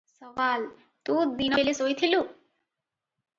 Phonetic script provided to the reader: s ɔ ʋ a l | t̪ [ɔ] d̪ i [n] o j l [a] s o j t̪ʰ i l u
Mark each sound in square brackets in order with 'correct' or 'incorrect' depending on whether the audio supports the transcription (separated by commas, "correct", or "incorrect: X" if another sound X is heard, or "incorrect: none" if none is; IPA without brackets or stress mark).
incorrect: u, correct, incorrect: e